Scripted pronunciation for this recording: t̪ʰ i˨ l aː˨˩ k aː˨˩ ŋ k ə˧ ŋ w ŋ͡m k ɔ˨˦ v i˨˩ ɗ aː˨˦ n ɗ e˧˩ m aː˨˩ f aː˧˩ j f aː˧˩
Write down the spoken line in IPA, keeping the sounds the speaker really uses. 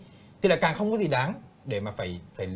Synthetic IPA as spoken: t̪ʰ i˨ l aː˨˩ k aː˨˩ ŋ x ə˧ w ŋ͡m k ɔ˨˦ z i˨˩ ɗ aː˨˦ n ɗ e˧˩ m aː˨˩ f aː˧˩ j f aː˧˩